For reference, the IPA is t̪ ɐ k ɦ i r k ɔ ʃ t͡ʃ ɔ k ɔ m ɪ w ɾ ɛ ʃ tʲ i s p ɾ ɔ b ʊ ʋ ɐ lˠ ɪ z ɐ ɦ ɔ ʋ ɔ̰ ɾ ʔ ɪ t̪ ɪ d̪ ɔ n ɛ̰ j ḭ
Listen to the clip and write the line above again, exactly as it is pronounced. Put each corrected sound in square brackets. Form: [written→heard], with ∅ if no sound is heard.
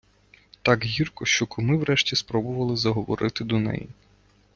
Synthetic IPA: t̪ [ɐ→ɑ] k ɦ i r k ɔ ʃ t͡ʃ ɔ k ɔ m ɪ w ɾ ɛ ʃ tʲ i s p ɾ ɔ b ʊ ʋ ɐ lˠ ɪ z ɐ ɦ ɔ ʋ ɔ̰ ɾ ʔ ɪ t̪ ɪ d̪ ɔ n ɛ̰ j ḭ